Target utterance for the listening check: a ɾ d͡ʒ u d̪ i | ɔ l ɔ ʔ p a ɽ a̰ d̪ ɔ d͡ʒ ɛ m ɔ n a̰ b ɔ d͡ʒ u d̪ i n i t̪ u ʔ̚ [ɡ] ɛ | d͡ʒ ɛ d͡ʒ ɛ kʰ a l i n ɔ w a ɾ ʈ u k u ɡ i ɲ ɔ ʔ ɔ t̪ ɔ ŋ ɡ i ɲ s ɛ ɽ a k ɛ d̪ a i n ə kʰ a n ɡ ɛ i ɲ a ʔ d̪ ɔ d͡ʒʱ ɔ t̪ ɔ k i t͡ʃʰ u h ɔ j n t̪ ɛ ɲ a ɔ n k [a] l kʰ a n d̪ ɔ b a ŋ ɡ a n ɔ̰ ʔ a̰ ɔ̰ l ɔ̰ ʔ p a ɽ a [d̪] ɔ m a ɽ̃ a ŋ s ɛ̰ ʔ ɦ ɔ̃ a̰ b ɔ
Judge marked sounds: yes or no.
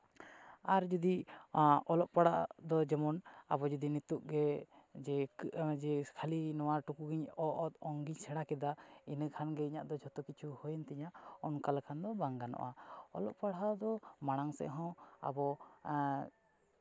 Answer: yes, yes, yes

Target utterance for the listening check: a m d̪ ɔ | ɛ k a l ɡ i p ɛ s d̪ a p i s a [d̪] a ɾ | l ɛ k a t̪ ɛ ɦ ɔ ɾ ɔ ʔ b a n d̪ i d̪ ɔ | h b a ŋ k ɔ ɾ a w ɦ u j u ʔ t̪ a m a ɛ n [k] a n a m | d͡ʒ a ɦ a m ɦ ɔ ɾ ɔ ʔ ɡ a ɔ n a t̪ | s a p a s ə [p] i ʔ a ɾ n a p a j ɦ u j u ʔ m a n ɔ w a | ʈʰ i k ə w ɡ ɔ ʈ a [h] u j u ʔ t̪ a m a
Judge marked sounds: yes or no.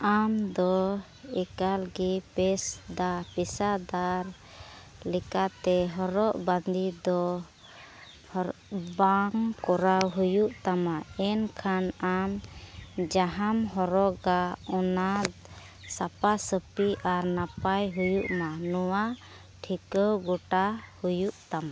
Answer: yes, no, yes, yes

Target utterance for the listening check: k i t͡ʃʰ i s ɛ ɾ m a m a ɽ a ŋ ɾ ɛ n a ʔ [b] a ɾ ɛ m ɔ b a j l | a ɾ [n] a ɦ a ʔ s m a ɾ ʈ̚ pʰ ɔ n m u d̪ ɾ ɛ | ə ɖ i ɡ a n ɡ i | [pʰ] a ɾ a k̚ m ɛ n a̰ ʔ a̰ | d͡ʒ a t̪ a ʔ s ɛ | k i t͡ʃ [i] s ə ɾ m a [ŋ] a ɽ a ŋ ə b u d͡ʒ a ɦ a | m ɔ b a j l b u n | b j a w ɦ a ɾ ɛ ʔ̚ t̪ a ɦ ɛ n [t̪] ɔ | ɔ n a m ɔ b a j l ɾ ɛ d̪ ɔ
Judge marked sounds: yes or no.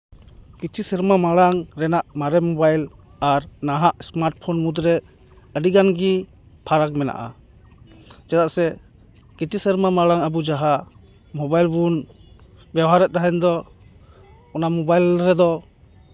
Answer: no, yes, yes, yes, no, no

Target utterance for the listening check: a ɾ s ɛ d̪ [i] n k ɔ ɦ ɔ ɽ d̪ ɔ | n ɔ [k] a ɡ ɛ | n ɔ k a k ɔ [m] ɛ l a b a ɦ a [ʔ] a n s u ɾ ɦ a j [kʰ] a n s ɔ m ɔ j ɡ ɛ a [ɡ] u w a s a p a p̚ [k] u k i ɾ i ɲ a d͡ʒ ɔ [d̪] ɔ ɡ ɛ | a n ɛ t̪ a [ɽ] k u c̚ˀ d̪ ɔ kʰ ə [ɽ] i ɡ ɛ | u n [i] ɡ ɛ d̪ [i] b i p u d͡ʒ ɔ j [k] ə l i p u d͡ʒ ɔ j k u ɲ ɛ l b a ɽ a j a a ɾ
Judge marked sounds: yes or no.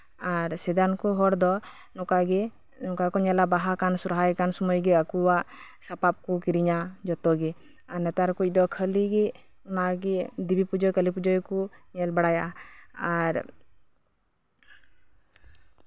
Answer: no, yes, no, no, no, no, yes, no, no, no, no, yes, yes

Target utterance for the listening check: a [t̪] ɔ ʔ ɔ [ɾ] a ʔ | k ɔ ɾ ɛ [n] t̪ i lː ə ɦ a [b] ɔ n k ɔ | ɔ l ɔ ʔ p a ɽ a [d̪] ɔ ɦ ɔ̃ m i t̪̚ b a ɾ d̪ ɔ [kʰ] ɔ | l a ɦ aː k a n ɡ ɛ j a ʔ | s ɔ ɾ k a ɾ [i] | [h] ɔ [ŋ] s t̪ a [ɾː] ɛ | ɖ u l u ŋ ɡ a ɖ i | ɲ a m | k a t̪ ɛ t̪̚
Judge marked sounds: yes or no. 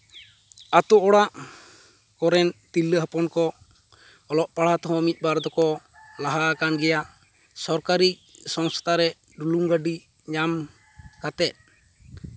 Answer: yes, no, yes, no, no, no, yes, no, yes, no

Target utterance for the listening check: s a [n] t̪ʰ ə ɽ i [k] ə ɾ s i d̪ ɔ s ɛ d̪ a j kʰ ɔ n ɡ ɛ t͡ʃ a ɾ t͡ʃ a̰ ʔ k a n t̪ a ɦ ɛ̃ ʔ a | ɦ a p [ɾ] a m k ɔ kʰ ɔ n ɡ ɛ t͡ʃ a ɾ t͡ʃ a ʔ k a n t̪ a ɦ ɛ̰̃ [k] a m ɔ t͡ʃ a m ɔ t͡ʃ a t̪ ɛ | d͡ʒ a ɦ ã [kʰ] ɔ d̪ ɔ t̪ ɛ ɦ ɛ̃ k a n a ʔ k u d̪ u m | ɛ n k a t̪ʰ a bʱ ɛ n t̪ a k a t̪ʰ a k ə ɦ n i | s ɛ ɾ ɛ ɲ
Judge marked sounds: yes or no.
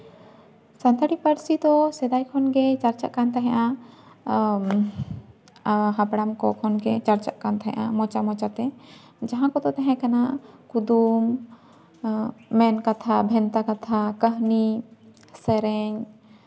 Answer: yes, no, no, no, no

